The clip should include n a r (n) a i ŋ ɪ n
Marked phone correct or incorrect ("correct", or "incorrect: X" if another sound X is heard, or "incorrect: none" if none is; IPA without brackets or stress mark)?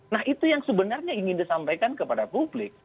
incorrect: ɲ